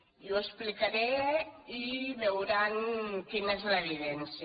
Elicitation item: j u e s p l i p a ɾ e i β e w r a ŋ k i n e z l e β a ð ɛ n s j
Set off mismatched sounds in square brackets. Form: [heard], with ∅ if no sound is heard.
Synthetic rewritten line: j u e s p l i [k] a ɾ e i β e w [ɾ] a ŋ k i n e z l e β [i] ð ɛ n s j